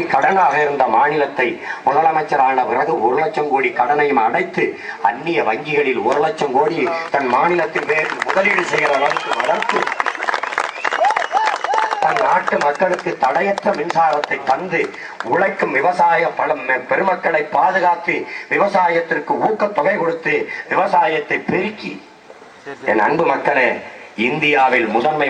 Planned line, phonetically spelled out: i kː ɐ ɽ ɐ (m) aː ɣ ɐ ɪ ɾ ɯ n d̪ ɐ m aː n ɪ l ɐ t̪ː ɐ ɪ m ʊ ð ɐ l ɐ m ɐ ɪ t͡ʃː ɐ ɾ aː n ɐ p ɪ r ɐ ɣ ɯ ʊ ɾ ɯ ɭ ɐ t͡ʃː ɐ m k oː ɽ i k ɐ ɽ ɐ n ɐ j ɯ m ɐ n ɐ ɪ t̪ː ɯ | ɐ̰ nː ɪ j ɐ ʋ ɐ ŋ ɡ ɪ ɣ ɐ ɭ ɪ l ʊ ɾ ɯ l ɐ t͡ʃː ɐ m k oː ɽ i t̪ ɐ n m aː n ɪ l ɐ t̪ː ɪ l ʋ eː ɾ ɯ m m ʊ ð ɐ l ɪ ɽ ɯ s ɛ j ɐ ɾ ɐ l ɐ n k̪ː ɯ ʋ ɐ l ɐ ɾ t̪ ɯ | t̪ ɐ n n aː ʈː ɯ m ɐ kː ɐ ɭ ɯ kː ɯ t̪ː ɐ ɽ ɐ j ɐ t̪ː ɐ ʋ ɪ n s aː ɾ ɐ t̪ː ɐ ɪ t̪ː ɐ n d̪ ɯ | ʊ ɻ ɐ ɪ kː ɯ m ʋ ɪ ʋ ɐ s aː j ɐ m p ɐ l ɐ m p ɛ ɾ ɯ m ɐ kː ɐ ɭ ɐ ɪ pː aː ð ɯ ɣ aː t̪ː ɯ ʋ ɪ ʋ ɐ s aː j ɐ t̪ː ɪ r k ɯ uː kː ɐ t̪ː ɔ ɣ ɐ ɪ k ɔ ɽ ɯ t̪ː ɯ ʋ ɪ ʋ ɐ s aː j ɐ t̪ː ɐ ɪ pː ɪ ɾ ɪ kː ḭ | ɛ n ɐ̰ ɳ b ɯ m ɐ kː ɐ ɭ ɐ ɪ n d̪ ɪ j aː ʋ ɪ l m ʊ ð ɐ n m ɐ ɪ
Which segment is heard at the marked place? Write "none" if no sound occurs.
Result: n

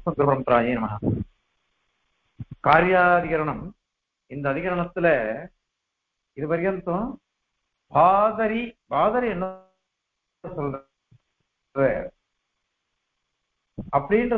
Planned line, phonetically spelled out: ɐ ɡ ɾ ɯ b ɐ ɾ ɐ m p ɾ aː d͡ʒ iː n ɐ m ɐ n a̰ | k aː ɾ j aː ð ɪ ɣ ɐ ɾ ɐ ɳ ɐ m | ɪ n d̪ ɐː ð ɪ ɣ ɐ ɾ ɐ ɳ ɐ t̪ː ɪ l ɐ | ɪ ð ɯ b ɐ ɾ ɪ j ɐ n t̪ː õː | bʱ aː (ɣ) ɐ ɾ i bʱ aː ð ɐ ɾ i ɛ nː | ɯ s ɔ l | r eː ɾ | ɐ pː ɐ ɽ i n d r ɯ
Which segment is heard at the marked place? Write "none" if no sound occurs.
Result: ð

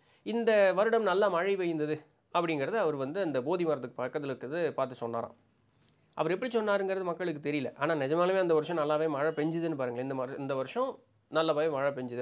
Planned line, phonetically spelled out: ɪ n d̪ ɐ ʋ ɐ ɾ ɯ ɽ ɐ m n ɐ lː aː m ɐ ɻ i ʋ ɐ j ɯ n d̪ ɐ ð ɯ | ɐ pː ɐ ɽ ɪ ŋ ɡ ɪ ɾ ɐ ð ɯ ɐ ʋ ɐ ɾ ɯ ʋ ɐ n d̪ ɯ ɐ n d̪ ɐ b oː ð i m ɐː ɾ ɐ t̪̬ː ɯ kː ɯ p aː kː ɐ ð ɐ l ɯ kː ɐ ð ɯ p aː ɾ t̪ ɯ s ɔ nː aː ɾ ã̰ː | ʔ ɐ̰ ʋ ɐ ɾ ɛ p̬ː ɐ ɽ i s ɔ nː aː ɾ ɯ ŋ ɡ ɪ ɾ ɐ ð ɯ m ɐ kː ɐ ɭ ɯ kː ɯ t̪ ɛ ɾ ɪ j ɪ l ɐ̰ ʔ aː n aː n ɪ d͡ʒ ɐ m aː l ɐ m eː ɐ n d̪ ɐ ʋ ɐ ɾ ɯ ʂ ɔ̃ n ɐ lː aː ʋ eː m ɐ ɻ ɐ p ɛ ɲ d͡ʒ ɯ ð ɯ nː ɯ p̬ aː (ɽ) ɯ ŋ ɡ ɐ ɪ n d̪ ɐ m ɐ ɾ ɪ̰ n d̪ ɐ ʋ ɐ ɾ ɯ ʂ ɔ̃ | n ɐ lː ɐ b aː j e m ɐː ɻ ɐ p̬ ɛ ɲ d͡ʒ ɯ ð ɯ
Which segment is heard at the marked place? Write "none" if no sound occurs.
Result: ɾ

